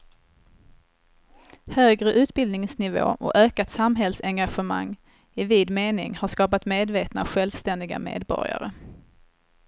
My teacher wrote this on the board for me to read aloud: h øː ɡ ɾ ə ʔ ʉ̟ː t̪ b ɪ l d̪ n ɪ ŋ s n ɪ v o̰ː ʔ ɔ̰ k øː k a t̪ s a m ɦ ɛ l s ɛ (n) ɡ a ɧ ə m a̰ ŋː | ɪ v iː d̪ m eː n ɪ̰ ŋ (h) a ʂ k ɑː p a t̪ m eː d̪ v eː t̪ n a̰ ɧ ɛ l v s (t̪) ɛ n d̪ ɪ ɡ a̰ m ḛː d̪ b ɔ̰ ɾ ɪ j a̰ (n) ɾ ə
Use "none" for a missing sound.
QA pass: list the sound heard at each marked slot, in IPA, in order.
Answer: ŋ, h, t̪, none

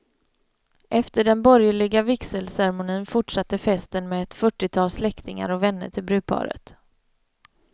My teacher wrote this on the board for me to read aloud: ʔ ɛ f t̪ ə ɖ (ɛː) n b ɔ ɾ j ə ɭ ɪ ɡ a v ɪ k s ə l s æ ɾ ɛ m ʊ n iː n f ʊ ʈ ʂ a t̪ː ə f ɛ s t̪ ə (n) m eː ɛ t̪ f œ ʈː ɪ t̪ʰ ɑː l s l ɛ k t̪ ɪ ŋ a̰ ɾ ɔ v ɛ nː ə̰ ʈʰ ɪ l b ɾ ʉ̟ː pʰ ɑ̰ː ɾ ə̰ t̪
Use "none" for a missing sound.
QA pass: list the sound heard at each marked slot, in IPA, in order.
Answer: ɛ, n

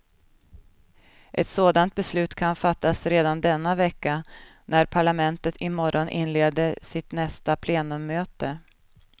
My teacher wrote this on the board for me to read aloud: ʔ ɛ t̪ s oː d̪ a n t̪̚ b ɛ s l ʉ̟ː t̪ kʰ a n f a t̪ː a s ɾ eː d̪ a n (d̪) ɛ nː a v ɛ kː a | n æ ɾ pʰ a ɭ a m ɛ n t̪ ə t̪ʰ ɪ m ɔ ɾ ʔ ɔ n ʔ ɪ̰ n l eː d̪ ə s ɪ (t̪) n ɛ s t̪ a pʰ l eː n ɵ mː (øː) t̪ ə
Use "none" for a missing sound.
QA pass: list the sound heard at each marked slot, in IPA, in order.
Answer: d̪, t̪, øː

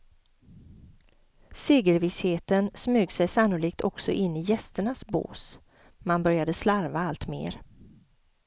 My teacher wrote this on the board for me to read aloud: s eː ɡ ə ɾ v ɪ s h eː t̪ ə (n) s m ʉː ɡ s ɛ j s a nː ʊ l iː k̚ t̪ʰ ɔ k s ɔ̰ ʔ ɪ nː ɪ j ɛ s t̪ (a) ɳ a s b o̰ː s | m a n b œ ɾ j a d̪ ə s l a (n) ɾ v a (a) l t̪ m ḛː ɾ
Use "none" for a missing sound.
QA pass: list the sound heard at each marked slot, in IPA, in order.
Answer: n, ə, none, a

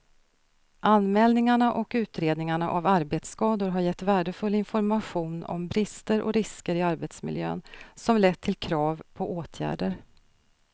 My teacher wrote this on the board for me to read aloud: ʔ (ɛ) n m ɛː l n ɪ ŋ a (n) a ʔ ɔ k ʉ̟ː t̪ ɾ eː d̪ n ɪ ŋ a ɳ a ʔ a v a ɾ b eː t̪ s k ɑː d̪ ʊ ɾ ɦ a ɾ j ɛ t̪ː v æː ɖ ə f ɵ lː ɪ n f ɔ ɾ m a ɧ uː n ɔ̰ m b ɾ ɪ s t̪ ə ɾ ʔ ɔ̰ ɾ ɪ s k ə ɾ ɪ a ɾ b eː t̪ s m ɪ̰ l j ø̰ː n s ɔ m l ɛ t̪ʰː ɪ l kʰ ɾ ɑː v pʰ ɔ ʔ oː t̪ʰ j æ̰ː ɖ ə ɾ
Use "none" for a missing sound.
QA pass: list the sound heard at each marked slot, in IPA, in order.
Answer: a, ɳ

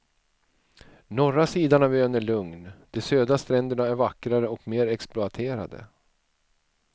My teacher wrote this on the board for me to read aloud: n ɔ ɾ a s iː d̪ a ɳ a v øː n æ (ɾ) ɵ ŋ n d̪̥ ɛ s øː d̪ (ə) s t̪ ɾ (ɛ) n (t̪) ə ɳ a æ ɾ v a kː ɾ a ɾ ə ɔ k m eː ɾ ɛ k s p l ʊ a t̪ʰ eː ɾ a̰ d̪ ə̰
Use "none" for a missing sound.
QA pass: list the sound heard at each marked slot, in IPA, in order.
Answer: ɭ, a, ɛ, d̪

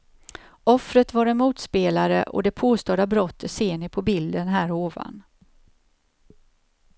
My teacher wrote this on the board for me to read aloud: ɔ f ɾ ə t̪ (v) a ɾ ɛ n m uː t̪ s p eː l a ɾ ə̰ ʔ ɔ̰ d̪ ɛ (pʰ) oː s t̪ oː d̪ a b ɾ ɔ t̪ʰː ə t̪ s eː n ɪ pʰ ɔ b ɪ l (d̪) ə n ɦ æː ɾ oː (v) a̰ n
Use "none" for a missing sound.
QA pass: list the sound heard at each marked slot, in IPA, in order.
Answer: v, pʰ, d̪, v

